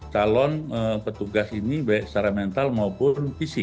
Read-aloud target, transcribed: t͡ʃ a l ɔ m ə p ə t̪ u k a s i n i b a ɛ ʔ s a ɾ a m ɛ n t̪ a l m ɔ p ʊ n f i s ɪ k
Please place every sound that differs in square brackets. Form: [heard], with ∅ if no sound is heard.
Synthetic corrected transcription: t͡ʃ a l ɔ [n] ə p ə t̪ u [ɡ] a s i n i b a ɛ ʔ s a ɾ a m ɛ n t̪ a l m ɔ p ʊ n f i s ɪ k